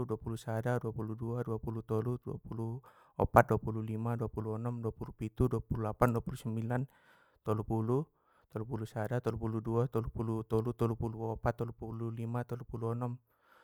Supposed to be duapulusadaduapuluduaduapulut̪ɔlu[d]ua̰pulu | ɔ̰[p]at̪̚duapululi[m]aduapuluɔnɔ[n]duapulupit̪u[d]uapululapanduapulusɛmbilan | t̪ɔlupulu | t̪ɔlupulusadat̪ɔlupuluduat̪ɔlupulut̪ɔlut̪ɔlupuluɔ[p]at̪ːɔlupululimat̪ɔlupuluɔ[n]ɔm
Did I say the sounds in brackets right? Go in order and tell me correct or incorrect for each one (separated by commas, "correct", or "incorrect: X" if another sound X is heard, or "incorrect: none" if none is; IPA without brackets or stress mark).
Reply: correct, correct, correct, incorrect: m, correct, correct, correct